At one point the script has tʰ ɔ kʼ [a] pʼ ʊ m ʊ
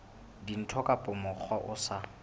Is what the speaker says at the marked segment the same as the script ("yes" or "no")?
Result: yes